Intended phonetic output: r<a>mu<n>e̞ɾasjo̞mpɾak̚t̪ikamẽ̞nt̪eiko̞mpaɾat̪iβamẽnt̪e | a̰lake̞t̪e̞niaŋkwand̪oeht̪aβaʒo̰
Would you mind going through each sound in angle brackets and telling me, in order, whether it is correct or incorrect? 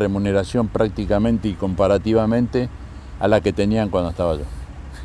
incorrect, correct

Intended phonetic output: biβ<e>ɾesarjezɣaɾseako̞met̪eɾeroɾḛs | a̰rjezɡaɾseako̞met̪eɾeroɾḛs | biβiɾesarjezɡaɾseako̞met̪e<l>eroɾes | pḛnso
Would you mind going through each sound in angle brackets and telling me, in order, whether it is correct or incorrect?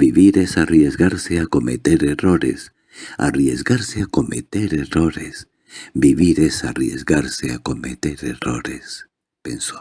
incorrect, incorrect

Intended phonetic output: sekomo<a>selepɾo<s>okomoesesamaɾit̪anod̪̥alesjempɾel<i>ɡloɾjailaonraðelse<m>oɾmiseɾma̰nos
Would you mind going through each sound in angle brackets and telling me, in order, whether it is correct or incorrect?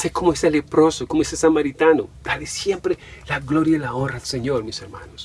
incorrect, correct, incorrect, incorrect

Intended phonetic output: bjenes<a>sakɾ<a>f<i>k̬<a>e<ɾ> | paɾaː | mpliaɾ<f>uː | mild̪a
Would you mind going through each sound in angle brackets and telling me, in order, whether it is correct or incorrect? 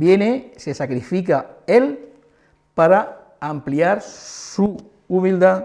incorrect, incorrect, correct, correct, incorrect, incorrect

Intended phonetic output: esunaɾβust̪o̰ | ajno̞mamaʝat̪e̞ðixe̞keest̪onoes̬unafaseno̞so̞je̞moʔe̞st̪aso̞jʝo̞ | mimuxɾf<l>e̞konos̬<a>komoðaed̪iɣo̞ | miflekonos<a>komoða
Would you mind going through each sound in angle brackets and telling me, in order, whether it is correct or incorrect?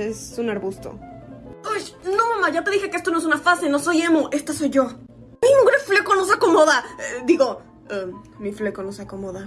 correct, correct, correct

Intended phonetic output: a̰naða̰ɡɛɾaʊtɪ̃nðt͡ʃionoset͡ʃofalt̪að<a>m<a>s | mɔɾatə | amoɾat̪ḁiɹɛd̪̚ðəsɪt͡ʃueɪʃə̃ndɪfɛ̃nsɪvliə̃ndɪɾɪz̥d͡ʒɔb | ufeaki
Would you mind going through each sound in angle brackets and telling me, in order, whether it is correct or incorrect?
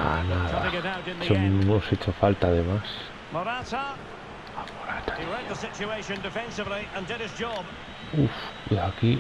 incorrect, correct

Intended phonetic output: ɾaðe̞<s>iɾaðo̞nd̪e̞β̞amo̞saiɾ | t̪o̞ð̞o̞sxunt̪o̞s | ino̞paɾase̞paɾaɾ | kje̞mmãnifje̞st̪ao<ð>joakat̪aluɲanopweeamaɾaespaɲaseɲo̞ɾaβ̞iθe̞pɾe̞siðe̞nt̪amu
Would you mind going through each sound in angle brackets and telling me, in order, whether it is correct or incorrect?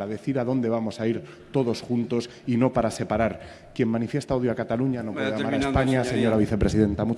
incorrect, correct

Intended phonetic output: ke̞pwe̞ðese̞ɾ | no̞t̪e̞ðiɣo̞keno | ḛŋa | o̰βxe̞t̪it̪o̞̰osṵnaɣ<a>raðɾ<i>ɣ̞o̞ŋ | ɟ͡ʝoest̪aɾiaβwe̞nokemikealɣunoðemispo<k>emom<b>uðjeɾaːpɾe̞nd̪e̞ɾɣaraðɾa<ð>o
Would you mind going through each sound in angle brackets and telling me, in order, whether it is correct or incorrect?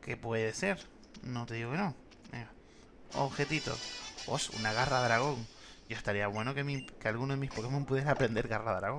correct, incorrect, correct, incorrect, incorrect

